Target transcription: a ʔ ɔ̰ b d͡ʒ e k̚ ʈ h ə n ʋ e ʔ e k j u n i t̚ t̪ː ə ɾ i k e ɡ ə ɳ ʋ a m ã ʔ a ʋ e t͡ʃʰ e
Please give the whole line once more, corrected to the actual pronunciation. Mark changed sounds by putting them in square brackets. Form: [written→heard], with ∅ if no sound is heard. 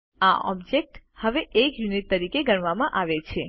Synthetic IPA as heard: a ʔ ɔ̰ b d͡ʒ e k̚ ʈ h ə [n→∅] ʋ e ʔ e k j u n i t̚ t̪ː ə ɾ i k e ɡ ə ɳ ʋ a m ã ʔ a ʋ e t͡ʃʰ e